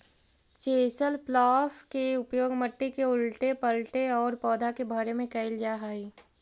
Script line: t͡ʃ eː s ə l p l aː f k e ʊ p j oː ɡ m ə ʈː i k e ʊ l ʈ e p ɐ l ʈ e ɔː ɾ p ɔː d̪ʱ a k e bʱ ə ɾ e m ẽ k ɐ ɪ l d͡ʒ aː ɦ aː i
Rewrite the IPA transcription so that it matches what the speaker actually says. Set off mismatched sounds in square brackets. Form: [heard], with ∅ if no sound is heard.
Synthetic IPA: t͡ʃ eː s ə l p l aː f k e ʊ p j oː ɡ m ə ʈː i k e ʊ l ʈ e p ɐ l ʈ e ɔː ɾ p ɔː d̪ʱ a k e bʱ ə ɾ e m ẽ k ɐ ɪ l d͡ʒ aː ɦ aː i

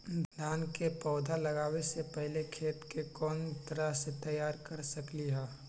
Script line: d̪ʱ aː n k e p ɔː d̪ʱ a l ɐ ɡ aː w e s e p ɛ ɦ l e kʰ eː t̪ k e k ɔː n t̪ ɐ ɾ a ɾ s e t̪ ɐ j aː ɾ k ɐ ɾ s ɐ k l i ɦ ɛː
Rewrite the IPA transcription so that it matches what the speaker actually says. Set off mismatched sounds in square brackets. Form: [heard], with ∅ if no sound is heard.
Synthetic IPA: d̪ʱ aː n k e p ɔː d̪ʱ a l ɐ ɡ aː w e s e p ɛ ɦ l e kʰ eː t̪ k e k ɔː n t̪ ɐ ɾ a [∅] s e t̪ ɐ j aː ɾ k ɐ ɾ s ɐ k l i ɦ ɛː

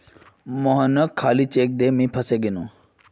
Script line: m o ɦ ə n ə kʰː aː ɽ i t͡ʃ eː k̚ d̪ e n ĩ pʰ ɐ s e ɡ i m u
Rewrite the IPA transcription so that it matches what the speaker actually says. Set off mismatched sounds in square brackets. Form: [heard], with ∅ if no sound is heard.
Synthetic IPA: m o ɦ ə n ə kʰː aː [l] i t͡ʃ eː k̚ d̪ e [m] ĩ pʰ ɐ s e ɡ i [n] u

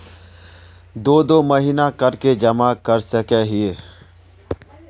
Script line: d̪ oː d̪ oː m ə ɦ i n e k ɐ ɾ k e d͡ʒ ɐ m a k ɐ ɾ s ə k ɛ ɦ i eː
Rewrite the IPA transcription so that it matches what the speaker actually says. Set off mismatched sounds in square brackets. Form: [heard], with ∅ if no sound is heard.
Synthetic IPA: d̪ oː d̪ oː m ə ɦ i n [a] k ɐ ɾ k e d͡ʒ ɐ m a k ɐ ɾ s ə k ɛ ɦ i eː

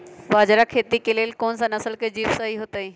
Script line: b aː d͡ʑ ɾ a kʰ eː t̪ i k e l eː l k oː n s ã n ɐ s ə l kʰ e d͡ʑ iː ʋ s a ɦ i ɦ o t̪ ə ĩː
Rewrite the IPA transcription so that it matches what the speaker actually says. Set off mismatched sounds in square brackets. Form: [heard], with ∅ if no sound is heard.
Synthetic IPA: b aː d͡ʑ ɾ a kʰ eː t̪ i k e l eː l k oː n s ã n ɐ s ə l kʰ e d͡ʑ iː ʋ s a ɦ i ɦ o t̪ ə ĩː

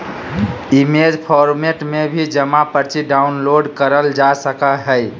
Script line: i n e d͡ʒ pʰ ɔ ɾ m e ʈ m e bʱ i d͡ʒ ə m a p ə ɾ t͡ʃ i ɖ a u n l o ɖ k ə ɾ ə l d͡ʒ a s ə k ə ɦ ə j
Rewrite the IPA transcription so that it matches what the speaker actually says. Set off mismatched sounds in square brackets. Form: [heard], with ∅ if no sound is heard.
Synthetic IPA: i [m] e d͡ʒ pʰ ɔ ɾ m e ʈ m e bʱ i d͡ʒ ə m a p ə ɾ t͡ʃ i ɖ a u n l o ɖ k ə ɾ ə l d͡ʒ a s ə k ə ɦ ə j

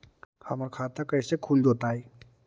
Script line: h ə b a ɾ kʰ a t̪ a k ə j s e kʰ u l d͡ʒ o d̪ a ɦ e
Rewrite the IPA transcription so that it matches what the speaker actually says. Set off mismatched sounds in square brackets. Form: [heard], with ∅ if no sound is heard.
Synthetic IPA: h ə [m] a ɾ kʰ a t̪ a k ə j s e kʰ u l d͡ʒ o [t̪] a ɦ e

